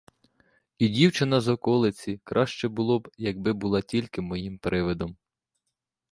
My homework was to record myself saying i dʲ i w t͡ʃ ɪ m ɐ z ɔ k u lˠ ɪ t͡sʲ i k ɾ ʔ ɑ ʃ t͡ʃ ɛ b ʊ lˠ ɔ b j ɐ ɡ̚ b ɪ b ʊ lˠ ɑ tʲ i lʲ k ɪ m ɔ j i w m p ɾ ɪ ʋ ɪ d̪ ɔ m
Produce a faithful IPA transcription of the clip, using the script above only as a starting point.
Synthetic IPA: i dʲ i w t͡ʃ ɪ n ɐ z ɔ k ɔ lˠ ɪ t͡sʲ i k ɾ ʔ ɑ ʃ t͡ʃ ɛ b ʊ lˠ ɔ b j ɐ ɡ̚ b ɪ b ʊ lˠ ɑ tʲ i lʲ k ɪ m ɔ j i m p ɾ ɪ ʋ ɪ d̪ ɔ m

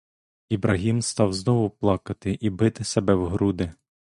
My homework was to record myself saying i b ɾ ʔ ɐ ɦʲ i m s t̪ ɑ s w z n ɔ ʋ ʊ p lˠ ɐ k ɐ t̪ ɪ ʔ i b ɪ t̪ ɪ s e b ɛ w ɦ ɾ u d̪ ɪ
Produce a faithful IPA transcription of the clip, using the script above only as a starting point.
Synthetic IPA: i b ɾ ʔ ɐ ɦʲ i m s t̪ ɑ w z n ɔ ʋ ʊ p lˠ ɑ k ɐ t̪ ɪ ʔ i b ɪ t̪ ɪ s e b ɛ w ɦ ɾ u d̪ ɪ

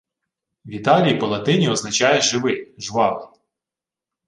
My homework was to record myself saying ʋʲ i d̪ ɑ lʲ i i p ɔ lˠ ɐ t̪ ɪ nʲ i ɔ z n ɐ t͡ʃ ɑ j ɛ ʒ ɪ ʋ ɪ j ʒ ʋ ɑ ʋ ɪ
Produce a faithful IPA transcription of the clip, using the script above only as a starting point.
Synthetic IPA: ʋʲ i t̪ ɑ lʲ i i p ɔ lˠ ɐ t̪ ɪ nʲ i ɔ z n ɐ t͡ʃ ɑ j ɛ ʒ ɪ ʋ ɪ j ʒ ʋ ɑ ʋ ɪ

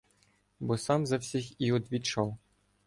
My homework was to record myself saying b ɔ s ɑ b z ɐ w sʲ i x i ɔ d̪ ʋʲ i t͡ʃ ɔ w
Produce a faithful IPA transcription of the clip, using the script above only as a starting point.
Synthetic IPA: b ɔ s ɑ m z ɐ w sʲ i x i ɔ d̪ ʋʲ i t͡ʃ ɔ w

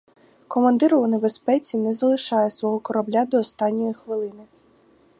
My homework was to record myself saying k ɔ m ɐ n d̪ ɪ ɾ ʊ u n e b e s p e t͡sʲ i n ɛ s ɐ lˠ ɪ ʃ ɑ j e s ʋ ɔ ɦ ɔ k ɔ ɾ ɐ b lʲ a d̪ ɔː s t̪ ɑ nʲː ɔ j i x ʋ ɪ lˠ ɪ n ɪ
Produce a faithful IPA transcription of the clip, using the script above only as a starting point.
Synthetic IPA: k ɔ m ɐ n d̪ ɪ ɾ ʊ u n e b e s p ɛ t͡sʲ i n ɛ z ɐ lˠ ɪ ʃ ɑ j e s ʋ ɔ ɦ ɔ k ɔ ɾ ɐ b lʲ a d̪ ɔː s t̪ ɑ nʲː ɔ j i x ʋ ɪ lˠ ɪ n ɪ

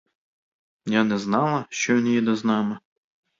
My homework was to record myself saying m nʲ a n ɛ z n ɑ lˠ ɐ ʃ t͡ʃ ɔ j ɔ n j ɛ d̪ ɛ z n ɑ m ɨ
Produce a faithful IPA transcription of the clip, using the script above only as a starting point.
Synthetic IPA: m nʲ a n ɛ z n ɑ lˠ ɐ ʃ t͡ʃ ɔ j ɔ n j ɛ d̪ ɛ z n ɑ m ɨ

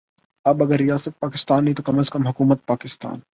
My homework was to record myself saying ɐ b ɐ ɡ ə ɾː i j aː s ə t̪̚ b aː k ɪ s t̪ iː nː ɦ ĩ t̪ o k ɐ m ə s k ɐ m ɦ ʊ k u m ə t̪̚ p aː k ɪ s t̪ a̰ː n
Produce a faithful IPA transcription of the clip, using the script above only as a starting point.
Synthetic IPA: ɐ b ɐ ɡ ə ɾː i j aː s ə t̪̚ p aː k ɪ s t̪ aː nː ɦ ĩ t̪ o k ɐ m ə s k ɐ m ɦ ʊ k uː m ə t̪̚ p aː k ɪ s t̪ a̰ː n

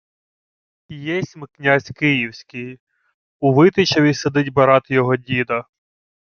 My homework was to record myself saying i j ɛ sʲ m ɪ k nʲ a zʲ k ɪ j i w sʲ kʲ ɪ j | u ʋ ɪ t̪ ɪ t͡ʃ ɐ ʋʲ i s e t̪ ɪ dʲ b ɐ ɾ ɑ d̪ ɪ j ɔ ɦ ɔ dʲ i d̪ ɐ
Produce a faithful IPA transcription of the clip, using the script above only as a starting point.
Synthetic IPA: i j ɛ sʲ m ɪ k nʲ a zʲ k ɪ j i w sʲ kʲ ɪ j | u ʋ ɪ t̪ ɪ t͡ʃ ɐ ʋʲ i s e d̪ ɪ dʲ b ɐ ɾ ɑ t̪ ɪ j ɔ ɦ ɔ dʲ i d̪ ɐ

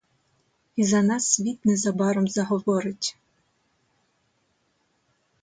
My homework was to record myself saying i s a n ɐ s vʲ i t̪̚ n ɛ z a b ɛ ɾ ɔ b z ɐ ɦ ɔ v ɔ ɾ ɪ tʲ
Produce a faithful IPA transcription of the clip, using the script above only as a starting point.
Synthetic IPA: i z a n a s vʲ i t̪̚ n ɛ z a b a ɾ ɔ m z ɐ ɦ ɔ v ɔ ɾ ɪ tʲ

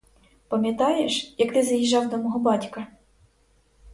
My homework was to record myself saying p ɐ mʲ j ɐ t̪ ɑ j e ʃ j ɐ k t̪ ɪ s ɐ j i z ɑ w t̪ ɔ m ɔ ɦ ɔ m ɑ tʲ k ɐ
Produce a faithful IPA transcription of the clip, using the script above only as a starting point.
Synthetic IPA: p ɐ mʲ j ɐ t̪ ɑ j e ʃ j ɐ k t̪ ɪ z ɐ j i ʒ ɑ w d̪ ɔ m ɔ ɦ ɔ b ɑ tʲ k ɐ

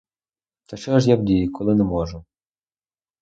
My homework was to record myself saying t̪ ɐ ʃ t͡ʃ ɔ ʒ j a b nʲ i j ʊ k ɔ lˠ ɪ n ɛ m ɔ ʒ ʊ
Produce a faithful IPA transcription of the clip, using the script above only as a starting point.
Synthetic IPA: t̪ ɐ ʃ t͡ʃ ɔ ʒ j a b dʲ i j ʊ k ɔ lˠ ɪ n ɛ m ɔ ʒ ʊ

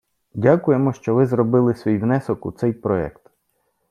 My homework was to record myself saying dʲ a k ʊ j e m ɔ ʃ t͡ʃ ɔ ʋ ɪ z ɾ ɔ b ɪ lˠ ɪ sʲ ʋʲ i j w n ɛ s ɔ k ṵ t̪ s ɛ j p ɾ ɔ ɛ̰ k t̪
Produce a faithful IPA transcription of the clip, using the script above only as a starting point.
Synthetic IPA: dʲ a k ʊ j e m ɔ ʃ t͡ʃ ɔ ʋ ɪ z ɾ ɔ b ɪ lˠ ɪ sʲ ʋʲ i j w n ɛ s ɔ k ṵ t̪ s ɛ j p ɾ ɔ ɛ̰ k t̪

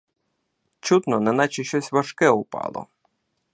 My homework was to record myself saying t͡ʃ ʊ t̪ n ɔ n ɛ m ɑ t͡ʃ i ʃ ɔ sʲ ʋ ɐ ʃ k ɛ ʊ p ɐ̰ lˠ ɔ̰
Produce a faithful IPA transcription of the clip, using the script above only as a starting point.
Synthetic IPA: t͡ʃ u t̪ n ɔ n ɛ n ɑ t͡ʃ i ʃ ɔ sʲ ʋ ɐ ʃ k ɛ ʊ p ɑ̰ lˠ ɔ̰

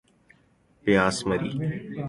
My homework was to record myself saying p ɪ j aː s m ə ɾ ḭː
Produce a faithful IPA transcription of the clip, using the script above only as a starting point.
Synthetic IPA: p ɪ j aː s m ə ɾ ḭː

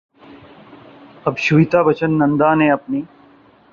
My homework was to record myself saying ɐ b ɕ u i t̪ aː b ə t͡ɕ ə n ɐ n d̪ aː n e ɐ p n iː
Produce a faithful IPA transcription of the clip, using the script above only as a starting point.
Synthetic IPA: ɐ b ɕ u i t̪ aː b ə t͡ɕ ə nː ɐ n d̪ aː n e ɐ p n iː

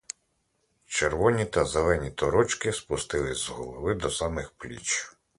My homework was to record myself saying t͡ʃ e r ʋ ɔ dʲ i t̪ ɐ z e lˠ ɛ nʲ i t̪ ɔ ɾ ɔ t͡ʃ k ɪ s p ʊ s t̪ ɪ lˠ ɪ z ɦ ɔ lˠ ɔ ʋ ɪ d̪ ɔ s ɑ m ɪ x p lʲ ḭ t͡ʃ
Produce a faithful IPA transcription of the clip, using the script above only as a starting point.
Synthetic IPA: t͡ʃ e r ʋ ɔ nʲ i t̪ ɐ z e lˠ ɛ nʲ i t̪ ɔ ɾ ɔ t͡ʃ k ɪ s p ʊ s t̪ ɪ lˠ ɪ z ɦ ɔ lˠ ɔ ʋ ɪ d̪ ɔ s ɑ m ɪ x p lʲ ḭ t͡ʃ

